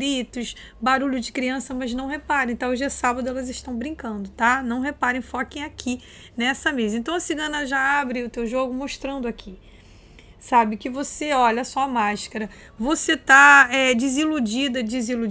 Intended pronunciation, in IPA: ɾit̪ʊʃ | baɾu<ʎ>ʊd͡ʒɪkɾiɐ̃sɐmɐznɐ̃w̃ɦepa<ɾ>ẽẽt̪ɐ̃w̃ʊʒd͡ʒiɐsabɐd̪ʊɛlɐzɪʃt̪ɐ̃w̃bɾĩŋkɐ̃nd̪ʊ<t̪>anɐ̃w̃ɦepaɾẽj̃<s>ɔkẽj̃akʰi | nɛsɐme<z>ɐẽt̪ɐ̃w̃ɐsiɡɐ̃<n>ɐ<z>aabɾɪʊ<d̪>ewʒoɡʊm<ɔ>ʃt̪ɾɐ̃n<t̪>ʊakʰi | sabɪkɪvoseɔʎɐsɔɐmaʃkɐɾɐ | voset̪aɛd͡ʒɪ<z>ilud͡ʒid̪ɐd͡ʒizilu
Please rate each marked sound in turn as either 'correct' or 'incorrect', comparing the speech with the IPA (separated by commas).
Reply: correct, correct, correct, incorrect, correct, correct, incorrect, incorrect, incorrect, incorrect, correct